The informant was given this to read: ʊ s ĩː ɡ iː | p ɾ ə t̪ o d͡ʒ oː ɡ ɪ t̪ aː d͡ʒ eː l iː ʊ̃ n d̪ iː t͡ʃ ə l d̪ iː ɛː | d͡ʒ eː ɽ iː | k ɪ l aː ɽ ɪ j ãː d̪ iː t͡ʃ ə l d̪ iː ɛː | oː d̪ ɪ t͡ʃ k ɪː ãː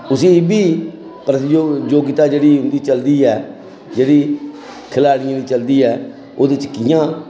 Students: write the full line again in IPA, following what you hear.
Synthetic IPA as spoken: ʊ s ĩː b iː | p ɾ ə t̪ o d͡ʒ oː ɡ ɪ t̪ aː d͡ʒ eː ɽ iː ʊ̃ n d̪ iː t͡ʃ ə l d̪ iː ɛː | d͡ʒ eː ɽ iː | kʰ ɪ l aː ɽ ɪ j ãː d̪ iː t͡ʃ ə l d̪ iː ɛː | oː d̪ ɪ t͡ʃ k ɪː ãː